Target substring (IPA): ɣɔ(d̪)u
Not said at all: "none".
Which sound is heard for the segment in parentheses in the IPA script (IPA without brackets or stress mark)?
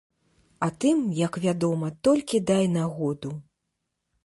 d̪